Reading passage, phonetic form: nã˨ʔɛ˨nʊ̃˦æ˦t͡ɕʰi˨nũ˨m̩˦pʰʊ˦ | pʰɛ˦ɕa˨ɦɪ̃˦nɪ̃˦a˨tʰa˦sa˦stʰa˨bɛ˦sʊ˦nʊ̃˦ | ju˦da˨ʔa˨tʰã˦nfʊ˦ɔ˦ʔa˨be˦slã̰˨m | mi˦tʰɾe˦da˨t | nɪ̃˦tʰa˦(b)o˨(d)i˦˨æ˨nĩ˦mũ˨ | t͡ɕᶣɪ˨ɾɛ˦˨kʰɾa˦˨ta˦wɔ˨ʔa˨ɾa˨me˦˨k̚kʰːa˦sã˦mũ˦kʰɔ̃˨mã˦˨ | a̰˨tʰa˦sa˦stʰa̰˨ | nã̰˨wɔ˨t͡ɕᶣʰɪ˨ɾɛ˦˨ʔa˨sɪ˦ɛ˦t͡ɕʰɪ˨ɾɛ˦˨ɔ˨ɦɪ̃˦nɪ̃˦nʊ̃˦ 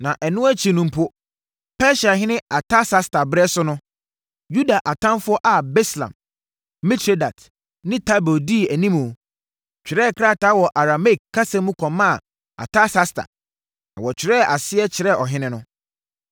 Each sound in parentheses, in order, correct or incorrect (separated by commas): correct, correct